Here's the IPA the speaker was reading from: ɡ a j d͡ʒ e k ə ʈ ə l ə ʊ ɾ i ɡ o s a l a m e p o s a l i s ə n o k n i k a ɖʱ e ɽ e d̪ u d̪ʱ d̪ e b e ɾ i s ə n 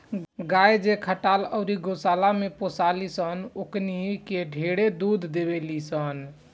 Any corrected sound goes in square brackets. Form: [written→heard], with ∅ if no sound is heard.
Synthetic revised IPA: ɡ a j d͡ʒ e [k→kʰ] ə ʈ [ə→a] l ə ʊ ɾ i ɡ o s a l a m e p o s a l i s ə n o k n i k [a→e] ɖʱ e ɽ e d̪ u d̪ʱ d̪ e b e [ɾ→l] i s ə n